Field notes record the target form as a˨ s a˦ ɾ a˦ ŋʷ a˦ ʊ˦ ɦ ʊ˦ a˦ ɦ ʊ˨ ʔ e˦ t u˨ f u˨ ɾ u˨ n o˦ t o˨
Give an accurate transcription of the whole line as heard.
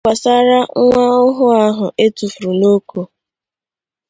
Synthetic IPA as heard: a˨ s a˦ ɾ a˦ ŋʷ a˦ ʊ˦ ɦ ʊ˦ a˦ ɦ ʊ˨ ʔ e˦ t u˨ f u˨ ɾ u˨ n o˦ k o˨